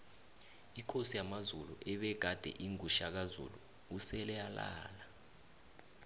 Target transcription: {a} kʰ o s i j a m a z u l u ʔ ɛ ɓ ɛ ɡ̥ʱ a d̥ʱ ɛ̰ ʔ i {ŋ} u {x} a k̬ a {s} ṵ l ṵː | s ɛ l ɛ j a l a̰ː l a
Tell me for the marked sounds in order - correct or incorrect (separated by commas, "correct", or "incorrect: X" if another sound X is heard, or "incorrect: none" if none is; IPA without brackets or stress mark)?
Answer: incorrect: i, correct, incorrect: ʃ, incorrect: z